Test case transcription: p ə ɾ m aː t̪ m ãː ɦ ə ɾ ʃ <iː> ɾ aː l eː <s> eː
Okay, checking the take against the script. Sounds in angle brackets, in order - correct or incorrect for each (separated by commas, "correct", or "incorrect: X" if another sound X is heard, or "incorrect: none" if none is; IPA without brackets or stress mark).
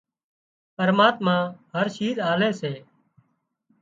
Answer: correct, correct